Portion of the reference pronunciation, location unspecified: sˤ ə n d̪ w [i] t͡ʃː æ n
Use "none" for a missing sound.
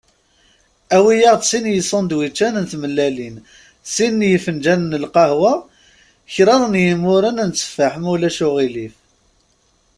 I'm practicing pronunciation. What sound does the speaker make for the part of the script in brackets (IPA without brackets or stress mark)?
i